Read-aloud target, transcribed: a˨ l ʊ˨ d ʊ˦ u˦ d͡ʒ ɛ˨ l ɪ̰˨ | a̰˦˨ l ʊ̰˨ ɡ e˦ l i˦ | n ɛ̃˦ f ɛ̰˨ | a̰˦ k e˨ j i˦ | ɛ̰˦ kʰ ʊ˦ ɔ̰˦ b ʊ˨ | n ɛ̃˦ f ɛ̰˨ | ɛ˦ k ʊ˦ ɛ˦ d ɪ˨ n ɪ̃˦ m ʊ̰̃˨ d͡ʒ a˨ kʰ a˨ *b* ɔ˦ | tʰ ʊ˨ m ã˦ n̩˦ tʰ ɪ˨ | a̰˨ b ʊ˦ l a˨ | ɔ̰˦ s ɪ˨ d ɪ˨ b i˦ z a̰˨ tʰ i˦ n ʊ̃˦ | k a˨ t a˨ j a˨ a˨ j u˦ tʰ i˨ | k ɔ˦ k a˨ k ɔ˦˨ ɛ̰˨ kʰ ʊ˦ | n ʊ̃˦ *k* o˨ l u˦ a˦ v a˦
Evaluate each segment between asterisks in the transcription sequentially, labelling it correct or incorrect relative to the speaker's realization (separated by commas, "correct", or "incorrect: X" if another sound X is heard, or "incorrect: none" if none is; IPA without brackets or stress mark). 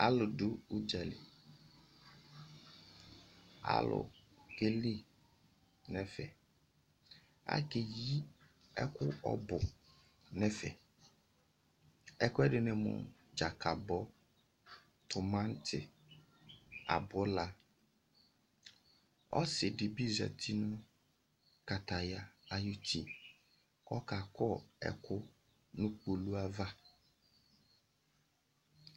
correct, incorrect: k͡p